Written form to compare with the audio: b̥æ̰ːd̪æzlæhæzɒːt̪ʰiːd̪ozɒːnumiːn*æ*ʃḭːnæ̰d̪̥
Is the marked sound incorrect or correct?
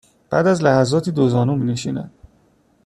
incorrect: e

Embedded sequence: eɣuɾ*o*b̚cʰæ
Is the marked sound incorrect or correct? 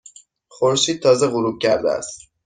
incorrect: u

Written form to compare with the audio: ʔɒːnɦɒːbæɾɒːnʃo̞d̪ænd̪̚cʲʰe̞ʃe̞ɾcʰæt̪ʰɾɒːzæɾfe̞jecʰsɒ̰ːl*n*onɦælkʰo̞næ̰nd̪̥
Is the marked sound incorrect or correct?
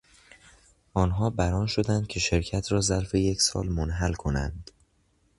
incorrect: m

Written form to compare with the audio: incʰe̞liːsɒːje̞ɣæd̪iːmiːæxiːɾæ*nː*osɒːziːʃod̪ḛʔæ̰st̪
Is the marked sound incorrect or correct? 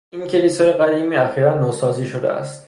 correct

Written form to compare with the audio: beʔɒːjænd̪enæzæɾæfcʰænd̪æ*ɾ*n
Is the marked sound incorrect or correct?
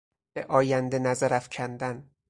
incorrect: none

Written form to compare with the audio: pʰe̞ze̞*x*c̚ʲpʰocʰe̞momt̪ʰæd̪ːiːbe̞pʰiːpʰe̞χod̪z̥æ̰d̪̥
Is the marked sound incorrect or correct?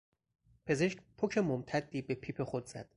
incorrect: ʃ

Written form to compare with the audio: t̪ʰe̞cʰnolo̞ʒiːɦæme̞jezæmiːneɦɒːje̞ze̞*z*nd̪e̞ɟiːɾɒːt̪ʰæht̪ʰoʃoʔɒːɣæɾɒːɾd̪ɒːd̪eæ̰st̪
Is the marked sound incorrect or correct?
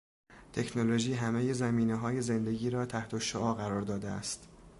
incorrect: none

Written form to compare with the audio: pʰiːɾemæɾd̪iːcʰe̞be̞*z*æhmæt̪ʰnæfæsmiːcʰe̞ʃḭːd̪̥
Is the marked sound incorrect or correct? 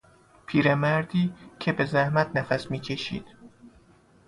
correct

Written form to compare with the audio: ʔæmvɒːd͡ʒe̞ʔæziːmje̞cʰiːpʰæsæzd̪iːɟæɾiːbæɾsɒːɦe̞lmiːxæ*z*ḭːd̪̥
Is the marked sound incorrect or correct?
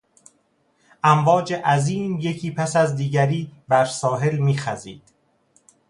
correct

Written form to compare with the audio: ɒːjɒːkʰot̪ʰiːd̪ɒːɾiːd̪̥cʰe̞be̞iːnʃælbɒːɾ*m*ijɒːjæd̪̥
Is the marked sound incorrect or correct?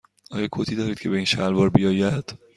incorrect: b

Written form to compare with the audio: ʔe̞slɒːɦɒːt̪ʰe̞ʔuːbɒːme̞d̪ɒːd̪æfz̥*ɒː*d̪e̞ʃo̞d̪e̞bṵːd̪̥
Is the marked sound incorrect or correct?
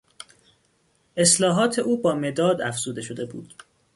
incorrect: uː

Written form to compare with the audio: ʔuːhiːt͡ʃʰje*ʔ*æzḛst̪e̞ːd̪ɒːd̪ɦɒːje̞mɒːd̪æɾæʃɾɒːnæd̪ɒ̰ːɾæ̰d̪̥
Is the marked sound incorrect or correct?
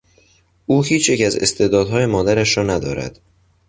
incorrect: c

